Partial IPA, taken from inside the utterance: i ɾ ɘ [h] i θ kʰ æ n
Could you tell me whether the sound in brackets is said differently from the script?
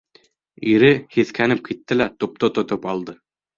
no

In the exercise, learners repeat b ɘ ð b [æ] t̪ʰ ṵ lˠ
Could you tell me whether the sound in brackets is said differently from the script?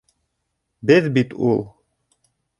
yes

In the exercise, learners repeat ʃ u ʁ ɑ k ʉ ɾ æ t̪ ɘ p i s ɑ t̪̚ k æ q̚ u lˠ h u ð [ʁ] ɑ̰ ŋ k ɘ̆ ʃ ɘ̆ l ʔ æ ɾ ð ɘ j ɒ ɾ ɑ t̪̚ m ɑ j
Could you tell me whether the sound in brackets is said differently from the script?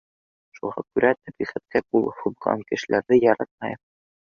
no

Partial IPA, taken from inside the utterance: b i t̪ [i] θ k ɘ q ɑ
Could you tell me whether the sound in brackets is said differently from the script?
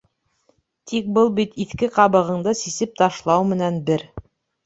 no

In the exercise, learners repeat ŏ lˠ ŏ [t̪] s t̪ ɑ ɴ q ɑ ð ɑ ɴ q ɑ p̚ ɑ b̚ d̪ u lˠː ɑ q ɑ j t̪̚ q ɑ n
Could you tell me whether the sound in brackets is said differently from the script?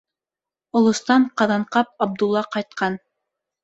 yes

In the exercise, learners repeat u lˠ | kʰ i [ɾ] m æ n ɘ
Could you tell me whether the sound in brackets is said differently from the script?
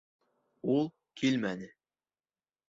yes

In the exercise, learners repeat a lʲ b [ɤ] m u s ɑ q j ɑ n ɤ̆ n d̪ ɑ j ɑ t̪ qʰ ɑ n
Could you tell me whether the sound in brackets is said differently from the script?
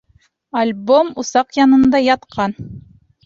yes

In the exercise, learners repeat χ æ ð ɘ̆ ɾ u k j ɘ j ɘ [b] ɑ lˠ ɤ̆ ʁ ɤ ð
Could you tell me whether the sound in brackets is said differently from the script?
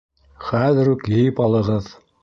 yes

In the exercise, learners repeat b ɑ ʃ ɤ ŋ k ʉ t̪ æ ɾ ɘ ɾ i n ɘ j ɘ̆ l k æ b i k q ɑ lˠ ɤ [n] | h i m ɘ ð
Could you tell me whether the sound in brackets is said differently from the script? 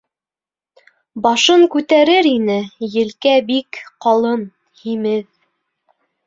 no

